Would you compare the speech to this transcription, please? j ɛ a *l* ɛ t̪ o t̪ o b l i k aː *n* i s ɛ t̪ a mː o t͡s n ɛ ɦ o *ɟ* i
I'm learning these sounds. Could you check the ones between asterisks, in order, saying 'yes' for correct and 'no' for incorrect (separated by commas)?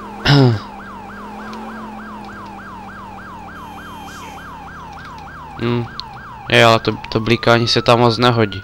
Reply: yes, no, yes